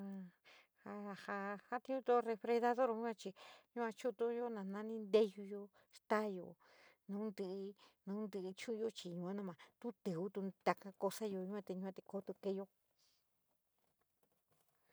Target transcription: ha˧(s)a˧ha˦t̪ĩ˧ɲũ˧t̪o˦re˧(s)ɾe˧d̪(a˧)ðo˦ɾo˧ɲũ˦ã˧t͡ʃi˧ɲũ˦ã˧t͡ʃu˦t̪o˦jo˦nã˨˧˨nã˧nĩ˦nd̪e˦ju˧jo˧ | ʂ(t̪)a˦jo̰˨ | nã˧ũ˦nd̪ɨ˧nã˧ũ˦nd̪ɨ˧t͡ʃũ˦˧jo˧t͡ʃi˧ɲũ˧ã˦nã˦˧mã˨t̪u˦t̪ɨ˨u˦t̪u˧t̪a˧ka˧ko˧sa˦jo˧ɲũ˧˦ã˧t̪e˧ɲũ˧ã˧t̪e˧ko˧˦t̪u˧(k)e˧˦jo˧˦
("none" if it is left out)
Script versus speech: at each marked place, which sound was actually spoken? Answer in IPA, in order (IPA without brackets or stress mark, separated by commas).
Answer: h, f, a˧, t̪, k